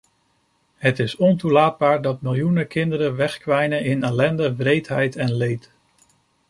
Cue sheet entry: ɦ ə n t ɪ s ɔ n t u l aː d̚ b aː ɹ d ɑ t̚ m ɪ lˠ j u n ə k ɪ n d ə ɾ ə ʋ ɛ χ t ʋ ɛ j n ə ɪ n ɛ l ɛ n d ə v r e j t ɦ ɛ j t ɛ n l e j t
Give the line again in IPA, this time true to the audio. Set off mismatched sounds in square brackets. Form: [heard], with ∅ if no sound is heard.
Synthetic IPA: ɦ ə [∅] t ɪ s ɔ n t u l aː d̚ b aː ɹ d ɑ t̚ m ɪ lˠ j u n ə k ɪ n d ə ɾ ə ʋ ɛ χ [k] ʋ ɛ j n ə ɪ n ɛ l ɛ n d ə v r e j t ɦ ɛ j t ɛ n l e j t

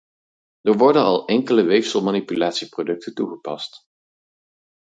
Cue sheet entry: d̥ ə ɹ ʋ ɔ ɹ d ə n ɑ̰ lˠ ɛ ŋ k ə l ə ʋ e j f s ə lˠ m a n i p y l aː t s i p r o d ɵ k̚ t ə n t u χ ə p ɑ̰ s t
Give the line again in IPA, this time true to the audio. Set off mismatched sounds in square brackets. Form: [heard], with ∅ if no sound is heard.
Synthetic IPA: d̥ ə ɹ ʋ ɔ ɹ d ə n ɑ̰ lˠ ɛ ŋ k ə l ə ʋ e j f s ə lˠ m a n i p y l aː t s i p r o d ɵ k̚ t ə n t u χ ə p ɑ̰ s t

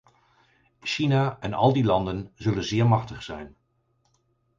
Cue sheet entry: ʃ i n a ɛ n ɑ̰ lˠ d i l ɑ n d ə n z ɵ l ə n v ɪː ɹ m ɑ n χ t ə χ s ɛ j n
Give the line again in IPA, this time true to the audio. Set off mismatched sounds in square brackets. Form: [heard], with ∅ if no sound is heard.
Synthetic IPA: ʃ i n a ɛ n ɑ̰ lˠ d i l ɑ n d ə n z ɵ l ə n [z] ɪː ɹ m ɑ [∅] χ t ə χ s ɛ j n

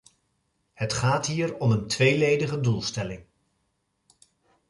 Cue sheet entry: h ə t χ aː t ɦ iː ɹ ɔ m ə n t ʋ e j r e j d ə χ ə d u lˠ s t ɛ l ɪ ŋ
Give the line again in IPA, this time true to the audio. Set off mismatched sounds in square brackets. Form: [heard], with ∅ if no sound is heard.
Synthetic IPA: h ə t χ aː t ɦ iː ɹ ɔ m ə n t ʋ e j [l] e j d ə χ ə d u lˠ s t ɛ l ɪ ŋ

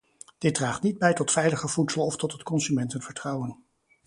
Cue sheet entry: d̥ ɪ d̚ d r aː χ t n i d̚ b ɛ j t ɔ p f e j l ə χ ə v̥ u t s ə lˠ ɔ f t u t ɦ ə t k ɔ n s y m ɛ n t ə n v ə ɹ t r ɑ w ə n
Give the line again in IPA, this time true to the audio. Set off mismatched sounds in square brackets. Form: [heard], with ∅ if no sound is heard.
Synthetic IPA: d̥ ɪ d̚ d r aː χ t n i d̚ b ɛ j t ɔ [t] f [ɛ] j l ə χ ə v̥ u t s ə lˠ ɔ f t [ɔ] t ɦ ə t k ɔ n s y m ɛ n t ə n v ə ɹ t r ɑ w ə n

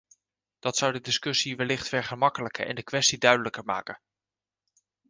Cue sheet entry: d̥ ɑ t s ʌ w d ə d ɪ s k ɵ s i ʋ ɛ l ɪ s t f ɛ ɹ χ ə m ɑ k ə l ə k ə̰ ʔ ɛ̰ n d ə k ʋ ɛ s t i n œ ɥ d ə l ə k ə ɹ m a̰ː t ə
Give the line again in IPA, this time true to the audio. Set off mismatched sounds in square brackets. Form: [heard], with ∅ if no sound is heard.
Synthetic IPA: d̥ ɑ t s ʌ w d ə d ɪ s k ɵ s i ʋ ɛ l ɪ [χ] t f ɛ ɹ χ ə m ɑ k ə l ə k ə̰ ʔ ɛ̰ n d ə k ʋ ɛ s t i [d] œ ɥ d ə l ə k ə ɹ m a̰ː [k] ə

